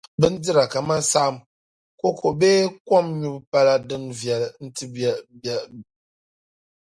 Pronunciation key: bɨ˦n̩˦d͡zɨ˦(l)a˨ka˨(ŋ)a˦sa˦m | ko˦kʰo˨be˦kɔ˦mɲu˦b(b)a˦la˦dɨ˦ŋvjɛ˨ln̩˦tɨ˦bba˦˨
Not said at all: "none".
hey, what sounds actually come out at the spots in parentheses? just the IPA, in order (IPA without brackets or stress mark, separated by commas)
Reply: ɾ, m, p